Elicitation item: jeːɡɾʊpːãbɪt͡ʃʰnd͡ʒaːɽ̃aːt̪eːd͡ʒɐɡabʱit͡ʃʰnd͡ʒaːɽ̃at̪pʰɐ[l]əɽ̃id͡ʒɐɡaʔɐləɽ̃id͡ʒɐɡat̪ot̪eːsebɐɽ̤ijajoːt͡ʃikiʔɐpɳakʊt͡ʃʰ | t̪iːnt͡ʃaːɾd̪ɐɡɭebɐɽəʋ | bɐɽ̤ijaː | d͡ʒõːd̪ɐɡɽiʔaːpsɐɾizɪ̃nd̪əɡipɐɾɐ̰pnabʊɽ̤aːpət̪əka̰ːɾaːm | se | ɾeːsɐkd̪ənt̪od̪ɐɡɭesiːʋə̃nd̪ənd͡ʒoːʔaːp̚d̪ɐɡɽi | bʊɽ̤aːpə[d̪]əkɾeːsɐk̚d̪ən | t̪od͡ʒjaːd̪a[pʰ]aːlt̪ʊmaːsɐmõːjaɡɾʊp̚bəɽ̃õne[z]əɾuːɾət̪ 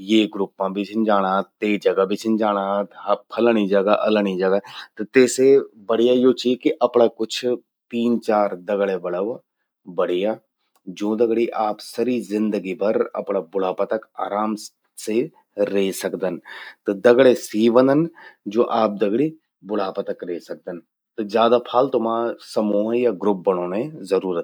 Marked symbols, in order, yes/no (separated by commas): yes, no, yes, yes